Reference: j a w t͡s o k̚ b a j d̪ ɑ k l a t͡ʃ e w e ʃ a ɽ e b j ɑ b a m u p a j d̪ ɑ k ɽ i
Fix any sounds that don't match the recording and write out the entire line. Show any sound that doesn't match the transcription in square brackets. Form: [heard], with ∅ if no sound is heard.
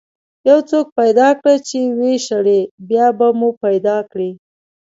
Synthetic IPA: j a w t͡s o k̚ [p] a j d̪ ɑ k [ɽ] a t͡ʃ e w e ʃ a ɽ e b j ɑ b a m u p a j d̪ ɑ k ɽ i